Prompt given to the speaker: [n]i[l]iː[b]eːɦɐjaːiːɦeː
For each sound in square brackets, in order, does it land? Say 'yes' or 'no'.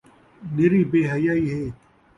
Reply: yes, no, yes

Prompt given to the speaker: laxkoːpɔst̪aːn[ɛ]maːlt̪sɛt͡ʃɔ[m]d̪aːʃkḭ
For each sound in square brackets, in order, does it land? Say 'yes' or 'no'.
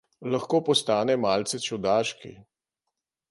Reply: yes, no

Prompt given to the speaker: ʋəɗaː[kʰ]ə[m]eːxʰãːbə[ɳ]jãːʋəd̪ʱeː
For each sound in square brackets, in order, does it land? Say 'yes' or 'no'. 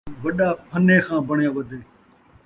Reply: no, no, yes

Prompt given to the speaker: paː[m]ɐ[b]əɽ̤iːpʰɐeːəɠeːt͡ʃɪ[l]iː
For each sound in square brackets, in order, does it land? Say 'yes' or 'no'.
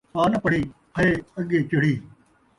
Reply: no, no, no

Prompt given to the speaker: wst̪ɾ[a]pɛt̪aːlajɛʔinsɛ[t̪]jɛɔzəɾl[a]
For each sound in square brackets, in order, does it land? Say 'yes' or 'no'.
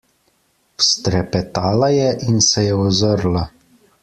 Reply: no, no, yes

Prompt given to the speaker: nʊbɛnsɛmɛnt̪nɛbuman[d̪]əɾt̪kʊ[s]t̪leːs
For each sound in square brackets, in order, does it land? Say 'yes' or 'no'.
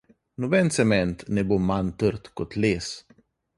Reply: no, no

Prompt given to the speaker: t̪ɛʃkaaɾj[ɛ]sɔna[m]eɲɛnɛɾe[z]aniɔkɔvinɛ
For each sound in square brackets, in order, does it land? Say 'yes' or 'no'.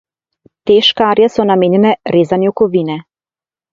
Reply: no, yes, yes

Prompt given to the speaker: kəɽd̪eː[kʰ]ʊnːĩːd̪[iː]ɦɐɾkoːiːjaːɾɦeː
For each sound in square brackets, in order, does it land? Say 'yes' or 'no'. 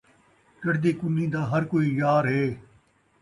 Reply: no, no

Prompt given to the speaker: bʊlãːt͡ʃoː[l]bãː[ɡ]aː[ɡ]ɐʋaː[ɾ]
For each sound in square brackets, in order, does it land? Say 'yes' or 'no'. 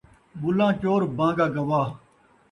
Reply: no, yes, yes, no

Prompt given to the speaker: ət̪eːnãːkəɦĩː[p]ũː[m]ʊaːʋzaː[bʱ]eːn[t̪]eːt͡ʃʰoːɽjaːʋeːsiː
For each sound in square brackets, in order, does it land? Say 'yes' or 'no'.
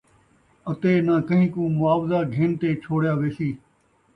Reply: no, yes, no, yes

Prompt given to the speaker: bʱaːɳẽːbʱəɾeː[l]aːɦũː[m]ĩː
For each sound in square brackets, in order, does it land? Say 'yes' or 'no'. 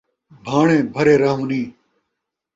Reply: no, no

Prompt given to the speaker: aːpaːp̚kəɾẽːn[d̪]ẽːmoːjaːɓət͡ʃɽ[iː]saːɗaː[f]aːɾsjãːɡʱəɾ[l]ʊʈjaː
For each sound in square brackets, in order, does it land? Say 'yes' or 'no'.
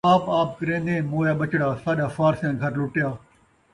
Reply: yes, no, yes, yes

